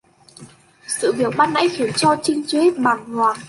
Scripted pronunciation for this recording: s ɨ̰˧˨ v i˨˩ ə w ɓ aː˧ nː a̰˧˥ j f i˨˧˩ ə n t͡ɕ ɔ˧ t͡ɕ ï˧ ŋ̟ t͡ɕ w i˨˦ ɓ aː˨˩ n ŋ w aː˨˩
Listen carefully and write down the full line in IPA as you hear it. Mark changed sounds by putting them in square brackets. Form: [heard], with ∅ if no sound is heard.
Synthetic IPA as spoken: s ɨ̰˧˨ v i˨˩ ə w ɓ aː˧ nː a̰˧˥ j [x] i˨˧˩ ə n t͡ɕ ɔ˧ t͡ɕ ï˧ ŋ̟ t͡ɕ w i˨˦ ɓ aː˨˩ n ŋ w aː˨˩

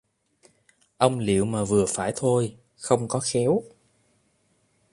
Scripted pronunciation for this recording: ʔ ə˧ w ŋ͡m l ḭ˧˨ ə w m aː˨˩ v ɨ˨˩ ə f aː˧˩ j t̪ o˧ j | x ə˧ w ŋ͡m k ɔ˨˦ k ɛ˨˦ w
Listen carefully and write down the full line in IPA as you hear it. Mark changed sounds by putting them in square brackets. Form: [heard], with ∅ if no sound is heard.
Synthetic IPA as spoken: ʔ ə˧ w ŋ͡m l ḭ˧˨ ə w m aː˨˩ v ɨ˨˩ ə f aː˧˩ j [t̪ʰ] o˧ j | x ə˧ w ŋ͡m k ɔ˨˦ [x] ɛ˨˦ w

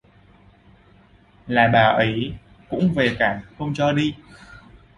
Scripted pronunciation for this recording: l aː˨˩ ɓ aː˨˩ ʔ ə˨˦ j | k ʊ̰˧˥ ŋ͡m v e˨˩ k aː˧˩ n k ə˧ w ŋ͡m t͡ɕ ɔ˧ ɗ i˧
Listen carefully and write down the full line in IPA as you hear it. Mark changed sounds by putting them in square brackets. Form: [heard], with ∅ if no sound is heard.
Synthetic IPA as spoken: l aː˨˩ ɓ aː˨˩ ʔ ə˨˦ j | k ʊ̰˧˥ ŋ͡m v e˨˩ k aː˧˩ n [x] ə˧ w ŋ͡m t͡ɕ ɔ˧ ɗ i˧

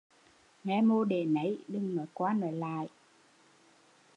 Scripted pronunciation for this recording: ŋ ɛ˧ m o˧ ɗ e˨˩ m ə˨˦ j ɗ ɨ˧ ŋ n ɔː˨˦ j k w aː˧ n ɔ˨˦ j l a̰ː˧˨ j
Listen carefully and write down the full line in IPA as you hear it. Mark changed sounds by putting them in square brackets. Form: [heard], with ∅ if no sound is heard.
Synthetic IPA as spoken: ŋ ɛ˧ m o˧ ɗ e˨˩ [n] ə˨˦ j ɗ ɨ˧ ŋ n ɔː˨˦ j k w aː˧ n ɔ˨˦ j l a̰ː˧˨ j

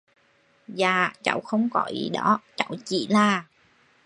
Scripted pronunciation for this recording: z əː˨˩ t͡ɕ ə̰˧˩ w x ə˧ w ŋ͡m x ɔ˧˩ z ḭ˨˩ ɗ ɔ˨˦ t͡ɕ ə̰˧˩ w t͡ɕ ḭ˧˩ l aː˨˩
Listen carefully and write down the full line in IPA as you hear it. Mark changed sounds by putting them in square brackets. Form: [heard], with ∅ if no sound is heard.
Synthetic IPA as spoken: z [aː˨˩] t͡ɕ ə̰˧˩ w x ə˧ w ŋ͡m [k] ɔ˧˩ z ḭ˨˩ ɗ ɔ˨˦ t͡ɕ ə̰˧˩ w t͡ɕ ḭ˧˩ l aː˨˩

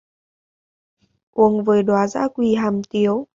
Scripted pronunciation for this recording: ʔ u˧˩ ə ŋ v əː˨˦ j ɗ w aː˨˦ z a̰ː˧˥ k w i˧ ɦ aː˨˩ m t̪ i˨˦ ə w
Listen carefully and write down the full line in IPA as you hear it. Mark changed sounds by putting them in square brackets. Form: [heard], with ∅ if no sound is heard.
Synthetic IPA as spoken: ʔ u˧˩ ə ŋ v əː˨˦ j ɗ w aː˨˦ z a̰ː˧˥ k w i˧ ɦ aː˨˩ m t̪ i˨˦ ə w

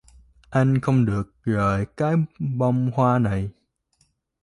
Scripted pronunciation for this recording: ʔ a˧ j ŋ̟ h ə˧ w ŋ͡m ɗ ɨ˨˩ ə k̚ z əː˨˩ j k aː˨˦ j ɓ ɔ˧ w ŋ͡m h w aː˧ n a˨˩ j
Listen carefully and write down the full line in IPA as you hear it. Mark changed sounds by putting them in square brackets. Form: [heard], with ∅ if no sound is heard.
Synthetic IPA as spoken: ʔ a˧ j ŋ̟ [x] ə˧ w ŋ͡m ɗ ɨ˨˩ ə k̚ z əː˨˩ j k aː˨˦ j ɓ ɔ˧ w ŋ͡m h w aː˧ n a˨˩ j

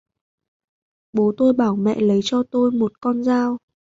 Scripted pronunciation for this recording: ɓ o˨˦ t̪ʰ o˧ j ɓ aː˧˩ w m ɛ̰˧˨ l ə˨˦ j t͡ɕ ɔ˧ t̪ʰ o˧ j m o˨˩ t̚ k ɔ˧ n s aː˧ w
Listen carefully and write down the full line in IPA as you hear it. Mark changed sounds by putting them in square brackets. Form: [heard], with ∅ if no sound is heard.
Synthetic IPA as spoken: ɓ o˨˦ [t̪] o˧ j ɓ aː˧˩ w m ɛ̰˧˨ l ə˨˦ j t͡ɕ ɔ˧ [t̪] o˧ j m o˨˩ t̚ k ɔ˧ n [z] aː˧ w

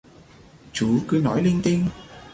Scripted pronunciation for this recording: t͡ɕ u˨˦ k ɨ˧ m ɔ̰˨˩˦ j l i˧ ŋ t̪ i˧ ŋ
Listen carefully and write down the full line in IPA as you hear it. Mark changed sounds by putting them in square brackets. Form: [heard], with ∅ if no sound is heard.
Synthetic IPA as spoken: t͡ɕ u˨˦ k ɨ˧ [n] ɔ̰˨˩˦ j l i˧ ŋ t̪ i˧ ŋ

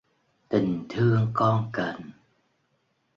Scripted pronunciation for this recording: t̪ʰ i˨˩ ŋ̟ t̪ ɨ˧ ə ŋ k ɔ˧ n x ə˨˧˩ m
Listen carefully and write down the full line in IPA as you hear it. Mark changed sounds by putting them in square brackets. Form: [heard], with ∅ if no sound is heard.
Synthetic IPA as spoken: [t̪] i˨˩ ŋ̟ [t̪ʰ] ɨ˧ ə ŋ k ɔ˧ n [k] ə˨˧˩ [n]

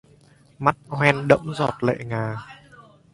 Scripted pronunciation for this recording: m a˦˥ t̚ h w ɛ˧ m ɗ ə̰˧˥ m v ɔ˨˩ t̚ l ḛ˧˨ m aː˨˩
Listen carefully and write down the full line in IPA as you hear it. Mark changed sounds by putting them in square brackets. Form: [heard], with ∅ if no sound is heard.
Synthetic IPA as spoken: m a˦˥ t̚ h w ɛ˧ [n] ɗ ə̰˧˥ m [z] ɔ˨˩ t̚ l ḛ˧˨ [ŋ] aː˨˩

